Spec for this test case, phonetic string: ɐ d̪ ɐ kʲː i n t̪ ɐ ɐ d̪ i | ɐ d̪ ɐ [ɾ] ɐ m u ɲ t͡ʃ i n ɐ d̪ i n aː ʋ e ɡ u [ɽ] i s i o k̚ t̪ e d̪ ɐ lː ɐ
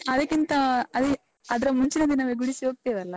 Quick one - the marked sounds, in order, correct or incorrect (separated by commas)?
correct, correct